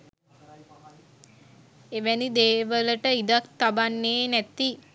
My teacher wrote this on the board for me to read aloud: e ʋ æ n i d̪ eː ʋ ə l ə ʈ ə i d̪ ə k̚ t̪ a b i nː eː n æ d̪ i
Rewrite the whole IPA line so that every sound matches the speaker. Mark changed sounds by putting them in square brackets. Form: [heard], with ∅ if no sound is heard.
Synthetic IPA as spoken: e ʋ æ n i d̪ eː ʋ ə l ə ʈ ə i d̪ [a] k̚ t̪ a b [a] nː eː n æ [t̪] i